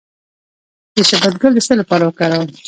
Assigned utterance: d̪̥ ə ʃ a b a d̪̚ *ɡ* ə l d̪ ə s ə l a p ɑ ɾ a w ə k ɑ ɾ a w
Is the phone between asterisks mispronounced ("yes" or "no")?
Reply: no